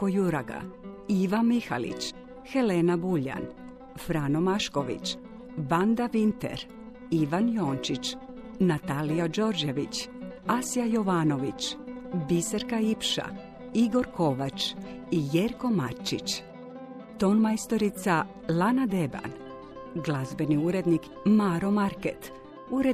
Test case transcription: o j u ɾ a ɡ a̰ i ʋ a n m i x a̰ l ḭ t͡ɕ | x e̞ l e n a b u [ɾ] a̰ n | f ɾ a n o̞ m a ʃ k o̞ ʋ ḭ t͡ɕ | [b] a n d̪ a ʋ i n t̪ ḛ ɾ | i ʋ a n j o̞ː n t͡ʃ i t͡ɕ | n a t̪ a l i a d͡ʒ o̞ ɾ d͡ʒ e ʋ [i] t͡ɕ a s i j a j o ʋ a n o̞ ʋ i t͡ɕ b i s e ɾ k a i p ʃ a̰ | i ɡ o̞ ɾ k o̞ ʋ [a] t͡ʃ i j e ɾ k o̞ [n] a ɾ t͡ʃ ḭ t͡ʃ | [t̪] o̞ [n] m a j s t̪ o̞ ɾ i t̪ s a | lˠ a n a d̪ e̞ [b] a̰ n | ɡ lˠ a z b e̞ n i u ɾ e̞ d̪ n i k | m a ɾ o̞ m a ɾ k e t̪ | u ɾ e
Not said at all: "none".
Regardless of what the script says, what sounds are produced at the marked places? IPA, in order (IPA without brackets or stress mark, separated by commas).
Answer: ʎ, b, i, a, m, t̪, n, b